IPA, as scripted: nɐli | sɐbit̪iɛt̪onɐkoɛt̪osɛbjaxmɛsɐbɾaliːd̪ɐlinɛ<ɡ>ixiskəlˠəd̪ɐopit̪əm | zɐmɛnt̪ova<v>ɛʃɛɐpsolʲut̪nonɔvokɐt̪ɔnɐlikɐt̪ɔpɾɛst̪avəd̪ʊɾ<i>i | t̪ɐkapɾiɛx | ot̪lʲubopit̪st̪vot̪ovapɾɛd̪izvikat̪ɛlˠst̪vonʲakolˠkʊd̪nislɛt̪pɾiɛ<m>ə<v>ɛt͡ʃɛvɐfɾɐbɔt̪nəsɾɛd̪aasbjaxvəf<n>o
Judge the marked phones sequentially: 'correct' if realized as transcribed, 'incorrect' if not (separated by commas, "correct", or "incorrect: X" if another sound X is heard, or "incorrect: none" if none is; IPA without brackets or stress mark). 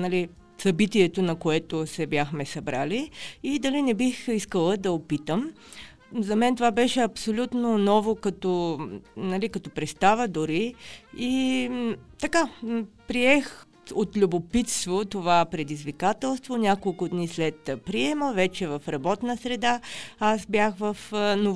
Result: incorrect: b, incorrect: b, correct, correct, correct, correct